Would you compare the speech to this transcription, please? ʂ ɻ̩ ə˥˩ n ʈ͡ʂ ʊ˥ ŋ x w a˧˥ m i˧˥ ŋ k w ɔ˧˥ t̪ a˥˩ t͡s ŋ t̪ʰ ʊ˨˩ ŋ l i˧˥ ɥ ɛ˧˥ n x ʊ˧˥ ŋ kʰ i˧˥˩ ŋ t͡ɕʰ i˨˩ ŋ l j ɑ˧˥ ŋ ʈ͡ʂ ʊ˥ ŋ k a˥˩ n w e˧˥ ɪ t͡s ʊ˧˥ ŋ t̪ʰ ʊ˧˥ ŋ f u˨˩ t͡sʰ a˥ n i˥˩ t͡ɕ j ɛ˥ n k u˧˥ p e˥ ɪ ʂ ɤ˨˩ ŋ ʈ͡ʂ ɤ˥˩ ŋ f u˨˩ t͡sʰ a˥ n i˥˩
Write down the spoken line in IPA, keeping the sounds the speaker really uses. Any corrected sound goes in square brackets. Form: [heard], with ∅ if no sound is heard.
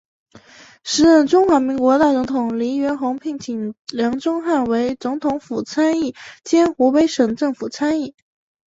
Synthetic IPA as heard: ʂ ɻ̩ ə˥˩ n ʈ͡ʂ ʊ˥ ŋ x w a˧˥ m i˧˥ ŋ k w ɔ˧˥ t̪ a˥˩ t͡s ŋ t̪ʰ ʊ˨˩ ŋ l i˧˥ ɥ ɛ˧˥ n x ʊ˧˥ ŋ [pʰ] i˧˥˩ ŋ t͡ɕʰ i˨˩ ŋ l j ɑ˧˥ ŋ ʈ͡ʂ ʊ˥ ŋ [x] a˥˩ n w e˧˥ ɪ t͡s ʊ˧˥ ŋ t̪ʰ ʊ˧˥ ŋ f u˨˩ t͡sʰ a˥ n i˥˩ t͡ɕ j ɛ˥ n [x] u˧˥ p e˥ ɪ ʂ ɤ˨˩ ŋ ʈ͡ʂ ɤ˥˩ ŋ f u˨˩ t͡sʰ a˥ n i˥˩